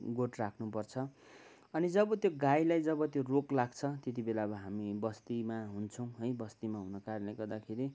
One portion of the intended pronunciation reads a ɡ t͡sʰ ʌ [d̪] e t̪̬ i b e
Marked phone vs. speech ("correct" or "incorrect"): incorrect